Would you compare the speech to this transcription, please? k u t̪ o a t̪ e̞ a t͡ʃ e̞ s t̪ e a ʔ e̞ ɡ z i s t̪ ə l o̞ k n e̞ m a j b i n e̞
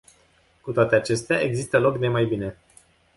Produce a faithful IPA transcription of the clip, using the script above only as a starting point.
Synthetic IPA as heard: k u t̪ o a t̪ e̞ a t͡ʃ e̞ s t̪ e a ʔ e̞ ɡ z i s t̪ ə l o̞ k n e̞ m a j b i n e̞